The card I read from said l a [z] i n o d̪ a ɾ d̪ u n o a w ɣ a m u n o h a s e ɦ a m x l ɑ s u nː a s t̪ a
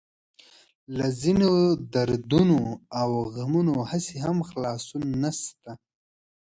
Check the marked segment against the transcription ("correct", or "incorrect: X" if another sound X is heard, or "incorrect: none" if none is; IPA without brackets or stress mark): correct